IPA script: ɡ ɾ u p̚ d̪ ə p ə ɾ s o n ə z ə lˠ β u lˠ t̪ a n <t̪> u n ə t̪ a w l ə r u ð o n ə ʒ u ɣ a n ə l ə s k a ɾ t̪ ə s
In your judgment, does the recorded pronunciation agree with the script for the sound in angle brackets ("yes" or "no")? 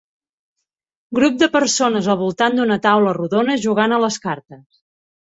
no